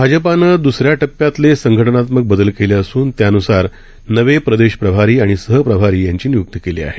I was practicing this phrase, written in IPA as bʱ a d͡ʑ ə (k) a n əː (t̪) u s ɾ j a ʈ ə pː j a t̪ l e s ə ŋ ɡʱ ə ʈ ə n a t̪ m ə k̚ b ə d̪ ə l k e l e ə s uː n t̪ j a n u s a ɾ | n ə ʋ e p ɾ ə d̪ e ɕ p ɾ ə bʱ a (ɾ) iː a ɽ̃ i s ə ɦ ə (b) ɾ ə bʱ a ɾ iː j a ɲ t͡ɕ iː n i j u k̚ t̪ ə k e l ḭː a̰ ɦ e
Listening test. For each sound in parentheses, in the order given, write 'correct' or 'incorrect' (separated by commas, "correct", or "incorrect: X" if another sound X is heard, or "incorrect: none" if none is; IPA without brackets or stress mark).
incorrect: p, incorrect: d̪, correct, incorrect: p